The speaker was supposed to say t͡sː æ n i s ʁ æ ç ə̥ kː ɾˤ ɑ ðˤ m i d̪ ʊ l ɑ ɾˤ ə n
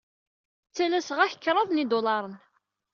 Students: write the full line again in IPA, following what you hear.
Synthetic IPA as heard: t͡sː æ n æ s ʁ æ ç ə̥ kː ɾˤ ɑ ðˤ n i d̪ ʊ l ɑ ɾˤ ə n